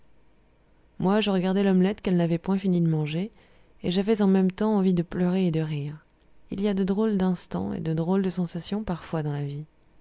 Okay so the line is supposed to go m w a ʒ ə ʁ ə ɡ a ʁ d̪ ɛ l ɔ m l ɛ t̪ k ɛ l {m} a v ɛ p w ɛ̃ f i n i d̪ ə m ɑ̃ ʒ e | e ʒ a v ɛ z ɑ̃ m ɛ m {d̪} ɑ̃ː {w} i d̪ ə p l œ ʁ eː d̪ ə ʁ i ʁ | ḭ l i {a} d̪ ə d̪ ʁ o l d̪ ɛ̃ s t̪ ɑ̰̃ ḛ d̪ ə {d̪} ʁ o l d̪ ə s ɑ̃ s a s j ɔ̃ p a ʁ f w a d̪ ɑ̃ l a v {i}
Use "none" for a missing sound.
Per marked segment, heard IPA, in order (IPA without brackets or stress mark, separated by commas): n, t̪, v, a, d̪, i